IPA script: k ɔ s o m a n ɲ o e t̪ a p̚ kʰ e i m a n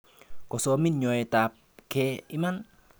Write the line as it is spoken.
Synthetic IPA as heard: k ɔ s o m i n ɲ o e t̪ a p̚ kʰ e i m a n

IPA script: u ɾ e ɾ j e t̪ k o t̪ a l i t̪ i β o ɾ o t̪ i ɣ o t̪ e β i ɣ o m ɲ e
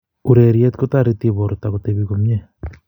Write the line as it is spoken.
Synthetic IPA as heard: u ɾ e ɾ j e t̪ k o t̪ a ɾ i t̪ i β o ɾ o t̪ a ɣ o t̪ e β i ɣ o m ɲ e

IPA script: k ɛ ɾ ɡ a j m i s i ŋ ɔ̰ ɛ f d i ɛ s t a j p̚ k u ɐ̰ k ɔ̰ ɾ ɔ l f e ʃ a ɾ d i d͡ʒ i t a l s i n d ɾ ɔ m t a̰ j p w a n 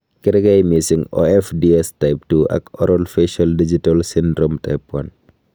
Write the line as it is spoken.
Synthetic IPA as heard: k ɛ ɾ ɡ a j m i s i ŋ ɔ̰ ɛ f d i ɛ s t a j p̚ t u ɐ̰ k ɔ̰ ɾ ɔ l f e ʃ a l d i d͡ʒ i t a l s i n d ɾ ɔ m t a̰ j p w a n

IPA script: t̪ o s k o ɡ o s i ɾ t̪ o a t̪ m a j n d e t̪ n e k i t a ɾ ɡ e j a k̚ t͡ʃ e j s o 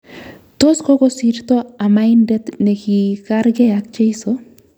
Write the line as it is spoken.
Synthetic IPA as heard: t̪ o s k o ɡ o s i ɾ t̪ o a m a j n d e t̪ n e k i k a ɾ ɡ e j a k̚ t͡ʃ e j s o

